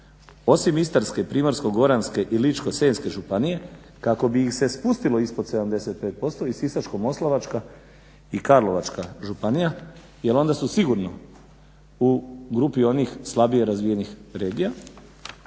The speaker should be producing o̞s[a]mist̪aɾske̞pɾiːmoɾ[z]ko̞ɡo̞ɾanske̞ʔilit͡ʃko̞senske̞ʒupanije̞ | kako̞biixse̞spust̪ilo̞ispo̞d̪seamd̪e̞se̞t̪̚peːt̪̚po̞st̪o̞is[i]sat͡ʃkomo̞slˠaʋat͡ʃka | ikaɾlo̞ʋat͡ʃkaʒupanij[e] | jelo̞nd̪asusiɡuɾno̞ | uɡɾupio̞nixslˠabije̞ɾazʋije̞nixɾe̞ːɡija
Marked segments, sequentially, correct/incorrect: incorrect: i, incorrect: s, correct, incorrect: a

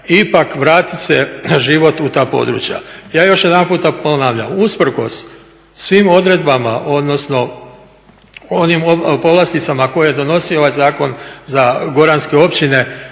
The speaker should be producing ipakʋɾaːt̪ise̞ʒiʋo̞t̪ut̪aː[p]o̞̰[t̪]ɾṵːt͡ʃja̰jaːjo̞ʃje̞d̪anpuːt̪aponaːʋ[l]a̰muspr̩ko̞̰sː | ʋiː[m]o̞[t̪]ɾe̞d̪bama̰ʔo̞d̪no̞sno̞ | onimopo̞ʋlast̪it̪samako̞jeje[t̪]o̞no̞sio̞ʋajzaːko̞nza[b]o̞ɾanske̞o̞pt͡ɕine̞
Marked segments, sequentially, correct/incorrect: correct, incorrect: d̪, incorrect: ʎ, correct, incorrect: d̪, incorrect: d̪, incorrect: ɡ

